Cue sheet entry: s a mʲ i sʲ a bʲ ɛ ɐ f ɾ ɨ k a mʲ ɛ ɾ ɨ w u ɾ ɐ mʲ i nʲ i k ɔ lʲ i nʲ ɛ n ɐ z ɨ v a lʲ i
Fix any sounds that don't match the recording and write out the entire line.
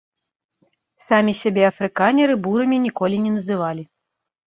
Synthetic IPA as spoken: s a mʲ i sʲ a bʲ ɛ ɐ f ɾ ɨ k a nʲ ɛ ɾ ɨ b u ɾ ɐ mʲ i nʲ i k ɔ lʲ i nʲ ɛ n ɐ z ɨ v a lʲ i